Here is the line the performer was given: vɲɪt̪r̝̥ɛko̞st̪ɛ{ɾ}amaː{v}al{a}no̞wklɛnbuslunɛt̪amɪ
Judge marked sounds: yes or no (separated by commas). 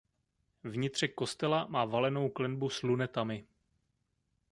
no, yes, no